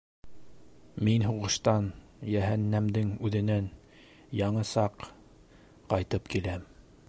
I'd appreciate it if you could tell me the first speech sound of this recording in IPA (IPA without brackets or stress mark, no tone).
m